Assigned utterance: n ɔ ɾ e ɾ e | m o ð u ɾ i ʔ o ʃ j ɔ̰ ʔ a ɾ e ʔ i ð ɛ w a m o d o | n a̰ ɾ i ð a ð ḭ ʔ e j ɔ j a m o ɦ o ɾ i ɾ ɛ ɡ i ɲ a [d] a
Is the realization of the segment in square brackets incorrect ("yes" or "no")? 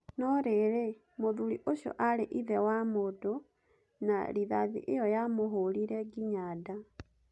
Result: no